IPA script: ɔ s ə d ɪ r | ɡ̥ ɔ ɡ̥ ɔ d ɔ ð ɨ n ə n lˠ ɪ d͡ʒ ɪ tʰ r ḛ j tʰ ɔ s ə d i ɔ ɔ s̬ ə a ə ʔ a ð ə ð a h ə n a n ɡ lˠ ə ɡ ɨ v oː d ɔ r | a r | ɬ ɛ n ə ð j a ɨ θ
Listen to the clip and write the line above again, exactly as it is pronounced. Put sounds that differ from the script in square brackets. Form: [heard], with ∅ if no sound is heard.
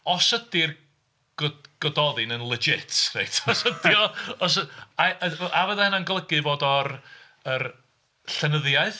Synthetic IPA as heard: ɔ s ə d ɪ r | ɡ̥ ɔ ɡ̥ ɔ d ɔ ð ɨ n ə n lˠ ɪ d͡ʒ ɪ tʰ r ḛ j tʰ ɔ s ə d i ɔ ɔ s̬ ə a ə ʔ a [v] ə ð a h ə n a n ɡ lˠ ə ɡ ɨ v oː d ɔ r | [ə] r | ɬ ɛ n ə ð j a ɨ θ